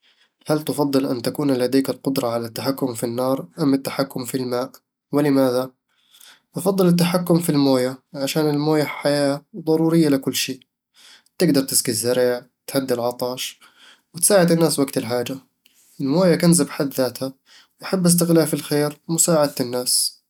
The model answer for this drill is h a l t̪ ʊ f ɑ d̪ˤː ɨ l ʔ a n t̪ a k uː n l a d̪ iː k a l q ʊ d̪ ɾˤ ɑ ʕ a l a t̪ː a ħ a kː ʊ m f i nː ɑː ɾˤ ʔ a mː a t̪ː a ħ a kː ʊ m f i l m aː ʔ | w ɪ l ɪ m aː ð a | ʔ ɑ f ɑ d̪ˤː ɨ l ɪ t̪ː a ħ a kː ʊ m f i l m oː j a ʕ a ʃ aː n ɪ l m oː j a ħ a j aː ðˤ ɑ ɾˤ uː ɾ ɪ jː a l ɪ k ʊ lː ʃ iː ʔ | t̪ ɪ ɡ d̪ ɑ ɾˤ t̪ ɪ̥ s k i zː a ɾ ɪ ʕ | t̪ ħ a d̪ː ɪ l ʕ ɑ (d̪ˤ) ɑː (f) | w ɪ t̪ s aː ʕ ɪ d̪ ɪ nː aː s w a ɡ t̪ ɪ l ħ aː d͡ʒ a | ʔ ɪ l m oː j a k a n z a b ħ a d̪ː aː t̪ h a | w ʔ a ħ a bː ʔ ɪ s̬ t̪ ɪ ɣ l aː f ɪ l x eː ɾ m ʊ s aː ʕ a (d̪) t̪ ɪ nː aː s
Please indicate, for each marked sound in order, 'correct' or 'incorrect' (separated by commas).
incorrect, incorrect, correct